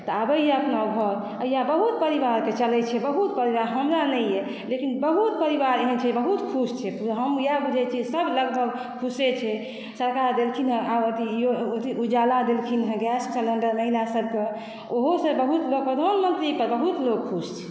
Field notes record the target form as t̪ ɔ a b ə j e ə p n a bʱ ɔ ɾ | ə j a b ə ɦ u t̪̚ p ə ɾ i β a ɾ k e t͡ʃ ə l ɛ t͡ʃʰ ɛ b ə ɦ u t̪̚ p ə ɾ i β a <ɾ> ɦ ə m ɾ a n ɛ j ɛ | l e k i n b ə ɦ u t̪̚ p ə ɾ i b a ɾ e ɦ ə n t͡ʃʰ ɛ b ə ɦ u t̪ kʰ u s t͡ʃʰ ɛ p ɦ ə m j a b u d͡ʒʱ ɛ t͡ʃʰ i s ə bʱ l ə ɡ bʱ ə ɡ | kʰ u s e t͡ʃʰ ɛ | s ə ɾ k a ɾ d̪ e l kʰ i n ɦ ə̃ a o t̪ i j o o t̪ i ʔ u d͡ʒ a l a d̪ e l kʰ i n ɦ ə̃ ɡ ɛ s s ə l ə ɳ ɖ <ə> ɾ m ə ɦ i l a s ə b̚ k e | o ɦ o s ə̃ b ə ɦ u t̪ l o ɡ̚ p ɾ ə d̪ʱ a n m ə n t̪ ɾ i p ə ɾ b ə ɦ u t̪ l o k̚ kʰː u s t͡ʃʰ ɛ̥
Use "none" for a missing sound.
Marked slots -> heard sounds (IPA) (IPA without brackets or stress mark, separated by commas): ɾ, ə